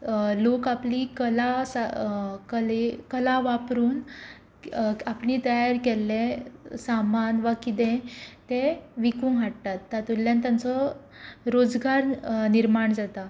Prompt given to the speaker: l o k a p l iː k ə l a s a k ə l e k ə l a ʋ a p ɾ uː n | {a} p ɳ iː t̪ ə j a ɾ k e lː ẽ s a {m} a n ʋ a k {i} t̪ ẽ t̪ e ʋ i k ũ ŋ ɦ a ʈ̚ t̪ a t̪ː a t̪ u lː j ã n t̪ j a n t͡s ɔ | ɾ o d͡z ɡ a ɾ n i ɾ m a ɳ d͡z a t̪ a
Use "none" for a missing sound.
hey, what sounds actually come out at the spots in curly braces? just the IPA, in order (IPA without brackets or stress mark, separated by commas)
a, m, i